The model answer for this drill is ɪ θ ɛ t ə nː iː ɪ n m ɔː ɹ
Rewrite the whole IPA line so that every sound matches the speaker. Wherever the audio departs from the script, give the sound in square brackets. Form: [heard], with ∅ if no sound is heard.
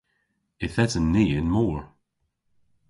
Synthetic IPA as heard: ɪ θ ɛ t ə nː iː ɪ n m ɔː ɹ